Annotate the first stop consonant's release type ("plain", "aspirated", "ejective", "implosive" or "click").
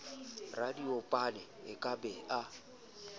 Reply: plain